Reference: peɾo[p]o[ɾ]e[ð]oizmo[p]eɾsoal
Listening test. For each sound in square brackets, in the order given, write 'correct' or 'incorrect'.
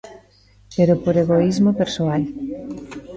correct, correct, incorrect, correct

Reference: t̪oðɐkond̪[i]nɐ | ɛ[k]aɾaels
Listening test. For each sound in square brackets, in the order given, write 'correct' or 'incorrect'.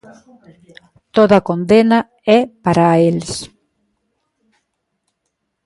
incorrect, incorrect

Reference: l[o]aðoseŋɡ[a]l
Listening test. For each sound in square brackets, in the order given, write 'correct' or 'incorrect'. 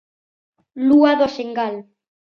incorrect, correct

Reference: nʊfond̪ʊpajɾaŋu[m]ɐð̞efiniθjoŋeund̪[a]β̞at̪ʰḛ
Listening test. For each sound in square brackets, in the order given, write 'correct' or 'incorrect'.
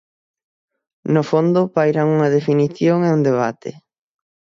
incorrect, incorrect

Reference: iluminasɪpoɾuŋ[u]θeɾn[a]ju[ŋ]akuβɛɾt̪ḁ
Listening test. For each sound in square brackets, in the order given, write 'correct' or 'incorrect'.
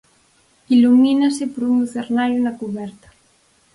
correct, correct, incorrect

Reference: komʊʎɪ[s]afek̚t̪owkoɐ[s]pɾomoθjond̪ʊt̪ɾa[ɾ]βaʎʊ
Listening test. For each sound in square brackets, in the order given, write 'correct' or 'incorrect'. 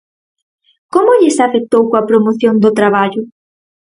correct, incorrect, incorrect

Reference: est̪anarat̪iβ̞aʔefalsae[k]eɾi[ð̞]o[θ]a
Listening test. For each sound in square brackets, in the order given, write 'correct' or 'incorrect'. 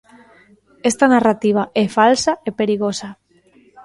incorrect, incorrect, incorrect

